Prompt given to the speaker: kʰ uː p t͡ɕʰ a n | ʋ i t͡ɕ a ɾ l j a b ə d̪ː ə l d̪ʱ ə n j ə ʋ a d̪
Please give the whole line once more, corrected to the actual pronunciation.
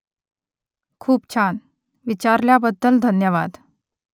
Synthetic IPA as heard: kʰ uː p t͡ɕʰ a n | ʋ i t͡ɕ a ɾ l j a b ə d̪ː ə l d̪ʱ ə n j ə ʋ a d̪